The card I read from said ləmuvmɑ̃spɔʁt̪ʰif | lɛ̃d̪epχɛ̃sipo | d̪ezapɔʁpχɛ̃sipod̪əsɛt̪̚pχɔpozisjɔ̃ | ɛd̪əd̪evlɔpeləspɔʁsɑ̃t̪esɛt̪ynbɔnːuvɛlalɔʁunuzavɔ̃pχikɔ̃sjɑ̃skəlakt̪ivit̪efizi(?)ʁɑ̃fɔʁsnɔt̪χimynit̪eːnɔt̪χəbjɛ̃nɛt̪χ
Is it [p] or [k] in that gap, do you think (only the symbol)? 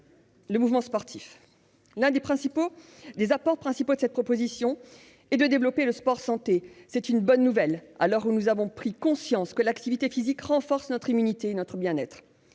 k